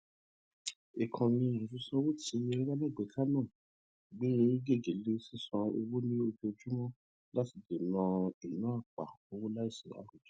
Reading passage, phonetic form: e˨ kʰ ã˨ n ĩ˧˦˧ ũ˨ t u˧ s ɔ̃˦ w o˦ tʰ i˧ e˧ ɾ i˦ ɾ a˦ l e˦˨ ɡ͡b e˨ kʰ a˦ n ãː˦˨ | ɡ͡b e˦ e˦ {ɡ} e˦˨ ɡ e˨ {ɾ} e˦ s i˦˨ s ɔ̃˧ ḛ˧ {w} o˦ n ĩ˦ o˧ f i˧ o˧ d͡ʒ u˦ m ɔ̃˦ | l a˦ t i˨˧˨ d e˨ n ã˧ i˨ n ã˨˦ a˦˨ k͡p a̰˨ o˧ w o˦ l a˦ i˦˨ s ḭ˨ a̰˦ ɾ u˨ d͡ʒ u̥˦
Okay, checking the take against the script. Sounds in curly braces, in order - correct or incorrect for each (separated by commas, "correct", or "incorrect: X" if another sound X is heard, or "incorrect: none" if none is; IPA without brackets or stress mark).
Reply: correct, incorrect: l, correct